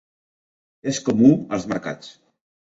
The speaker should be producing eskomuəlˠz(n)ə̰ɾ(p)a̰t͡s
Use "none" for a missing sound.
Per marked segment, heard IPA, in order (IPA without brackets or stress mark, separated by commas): m, k